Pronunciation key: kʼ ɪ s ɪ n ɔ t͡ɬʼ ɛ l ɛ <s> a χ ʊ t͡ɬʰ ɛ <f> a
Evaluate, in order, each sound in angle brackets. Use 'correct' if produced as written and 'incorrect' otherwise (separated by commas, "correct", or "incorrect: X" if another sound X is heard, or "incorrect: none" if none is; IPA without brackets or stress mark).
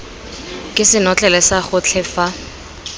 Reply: correct, correct